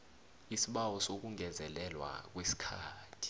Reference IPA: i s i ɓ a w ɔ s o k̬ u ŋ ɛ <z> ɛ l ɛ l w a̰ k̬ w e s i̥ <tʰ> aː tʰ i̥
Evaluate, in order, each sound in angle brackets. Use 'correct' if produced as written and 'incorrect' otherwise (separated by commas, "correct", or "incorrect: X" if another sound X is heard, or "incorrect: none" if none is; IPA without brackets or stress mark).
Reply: correct, incorrect: kʰ